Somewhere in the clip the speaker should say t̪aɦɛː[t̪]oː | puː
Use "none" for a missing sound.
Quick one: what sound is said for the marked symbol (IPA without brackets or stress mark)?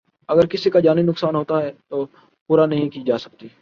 t̪